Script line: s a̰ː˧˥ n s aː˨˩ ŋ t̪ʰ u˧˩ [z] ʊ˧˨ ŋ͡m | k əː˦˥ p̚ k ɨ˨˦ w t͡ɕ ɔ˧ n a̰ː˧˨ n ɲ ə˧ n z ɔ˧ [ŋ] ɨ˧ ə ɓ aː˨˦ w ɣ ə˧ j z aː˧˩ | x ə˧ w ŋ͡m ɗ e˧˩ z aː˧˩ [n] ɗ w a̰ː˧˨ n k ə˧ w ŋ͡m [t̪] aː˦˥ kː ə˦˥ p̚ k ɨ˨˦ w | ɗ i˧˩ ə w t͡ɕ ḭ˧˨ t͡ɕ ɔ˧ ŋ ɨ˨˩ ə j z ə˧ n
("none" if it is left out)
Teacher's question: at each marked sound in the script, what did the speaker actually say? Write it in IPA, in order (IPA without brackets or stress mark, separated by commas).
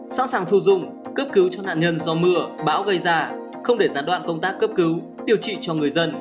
z, m, n, t̪